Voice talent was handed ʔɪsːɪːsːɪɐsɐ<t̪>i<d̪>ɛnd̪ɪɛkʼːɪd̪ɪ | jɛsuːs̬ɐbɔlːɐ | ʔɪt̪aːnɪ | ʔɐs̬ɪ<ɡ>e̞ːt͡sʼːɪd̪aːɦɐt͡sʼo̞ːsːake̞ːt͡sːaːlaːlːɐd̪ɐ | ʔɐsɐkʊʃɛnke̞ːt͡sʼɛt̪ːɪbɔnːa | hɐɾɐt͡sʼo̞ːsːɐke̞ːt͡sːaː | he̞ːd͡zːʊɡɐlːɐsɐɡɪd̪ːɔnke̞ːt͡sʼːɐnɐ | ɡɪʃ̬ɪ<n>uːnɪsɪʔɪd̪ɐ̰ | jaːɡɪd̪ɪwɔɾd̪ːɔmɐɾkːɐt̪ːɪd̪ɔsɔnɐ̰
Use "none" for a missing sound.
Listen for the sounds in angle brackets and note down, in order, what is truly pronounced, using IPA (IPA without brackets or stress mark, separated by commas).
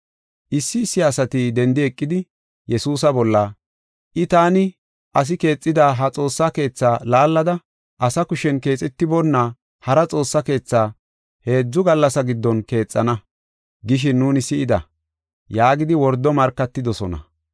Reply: t̪, d̪, k, nː